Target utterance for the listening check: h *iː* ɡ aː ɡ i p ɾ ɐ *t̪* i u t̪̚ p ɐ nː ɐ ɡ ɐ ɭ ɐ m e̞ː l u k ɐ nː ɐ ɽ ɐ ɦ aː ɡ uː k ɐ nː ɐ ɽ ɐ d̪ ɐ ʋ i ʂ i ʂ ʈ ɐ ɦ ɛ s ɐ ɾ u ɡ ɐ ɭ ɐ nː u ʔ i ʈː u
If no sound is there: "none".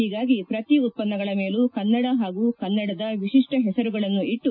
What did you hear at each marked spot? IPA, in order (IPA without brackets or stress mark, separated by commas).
iː, t̪